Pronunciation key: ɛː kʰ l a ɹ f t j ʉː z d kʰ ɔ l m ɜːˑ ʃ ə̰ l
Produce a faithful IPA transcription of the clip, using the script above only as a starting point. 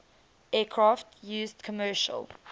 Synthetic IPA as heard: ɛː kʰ ɹ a f t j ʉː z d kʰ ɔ m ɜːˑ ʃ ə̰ l